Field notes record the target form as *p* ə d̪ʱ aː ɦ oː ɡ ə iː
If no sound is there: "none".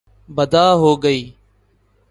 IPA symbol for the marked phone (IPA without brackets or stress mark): b